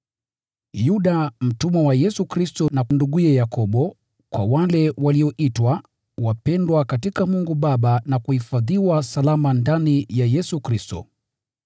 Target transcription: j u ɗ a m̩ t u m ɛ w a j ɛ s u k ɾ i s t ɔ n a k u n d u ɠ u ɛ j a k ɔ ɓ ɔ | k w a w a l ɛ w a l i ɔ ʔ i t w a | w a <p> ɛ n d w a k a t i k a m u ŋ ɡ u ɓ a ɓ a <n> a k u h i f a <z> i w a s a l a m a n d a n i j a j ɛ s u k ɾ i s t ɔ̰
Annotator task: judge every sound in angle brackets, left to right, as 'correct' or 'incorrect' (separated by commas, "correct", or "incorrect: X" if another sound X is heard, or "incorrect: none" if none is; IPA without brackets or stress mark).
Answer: correct, correct, incorrect: ð